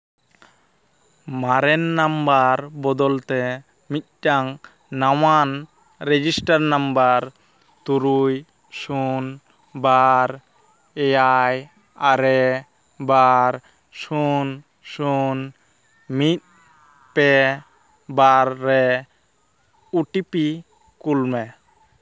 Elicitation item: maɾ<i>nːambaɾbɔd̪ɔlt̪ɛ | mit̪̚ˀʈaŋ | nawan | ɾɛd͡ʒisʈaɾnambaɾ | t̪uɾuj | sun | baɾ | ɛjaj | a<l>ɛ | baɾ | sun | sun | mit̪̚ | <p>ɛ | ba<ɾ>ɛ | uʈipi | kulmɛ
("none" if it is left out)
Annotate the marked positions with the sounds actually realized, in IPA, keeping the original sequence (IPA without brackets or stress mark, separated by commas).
ɛ, ɾ, p, ɾː